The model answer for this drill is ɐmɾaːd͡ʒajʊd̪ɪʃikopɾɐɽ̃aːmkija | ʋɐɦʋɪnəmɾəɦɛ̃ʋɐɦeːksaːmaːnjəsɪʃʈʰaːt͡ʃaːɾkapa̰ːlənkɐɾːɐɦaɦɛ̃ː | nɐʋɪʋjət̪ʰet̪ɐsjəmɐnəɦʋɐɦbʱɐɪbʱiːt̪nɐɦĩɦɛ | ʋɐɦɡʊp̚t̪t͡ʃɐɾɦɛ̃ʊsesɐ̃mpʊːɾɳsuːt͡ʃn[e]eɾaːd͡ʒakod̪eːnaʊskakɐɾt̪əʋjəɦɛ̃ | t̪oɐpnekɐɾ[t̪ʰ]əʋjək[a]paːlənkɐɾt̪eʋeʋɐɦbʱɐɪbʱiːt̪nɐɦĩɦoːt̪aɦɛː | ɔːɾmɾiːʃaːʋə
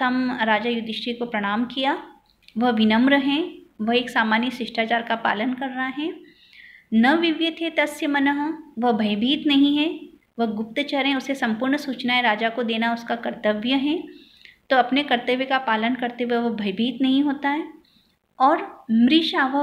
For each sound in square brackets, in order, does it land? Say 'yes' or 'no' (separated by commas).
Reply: no, no, yes